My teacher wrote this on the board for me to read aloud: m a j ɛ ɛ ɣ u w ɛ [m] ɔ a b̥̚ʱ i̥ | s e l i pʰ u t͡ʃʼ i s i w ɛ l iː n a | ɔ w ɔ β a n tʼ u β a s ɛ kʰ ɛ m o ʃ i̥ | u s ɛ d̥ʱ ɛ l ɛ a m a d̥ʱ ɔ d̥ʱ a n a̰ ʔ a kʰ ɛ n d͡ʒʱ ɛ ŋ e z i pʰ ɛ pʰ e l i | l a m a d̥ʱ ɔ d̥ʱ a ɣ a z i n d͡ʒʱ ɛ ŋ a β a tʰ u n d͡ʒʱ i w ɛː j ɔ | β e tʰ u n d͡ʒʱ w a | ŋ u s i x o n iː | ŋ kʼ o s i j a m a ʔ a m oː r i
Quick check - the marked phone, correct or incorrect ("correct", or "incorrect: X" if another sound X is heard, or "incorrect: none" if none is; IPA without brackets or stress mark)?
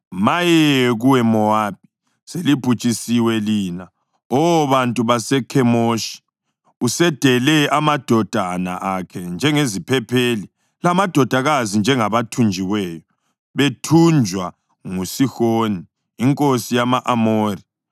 correct